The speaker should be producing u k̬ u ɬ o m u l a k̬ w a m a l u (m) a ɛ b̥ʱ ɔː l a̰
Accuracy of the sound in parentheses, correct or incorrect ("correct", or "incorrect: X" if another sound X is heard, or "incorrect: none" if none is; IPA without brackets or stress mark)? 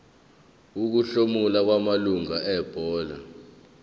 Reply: incorrect: ŋ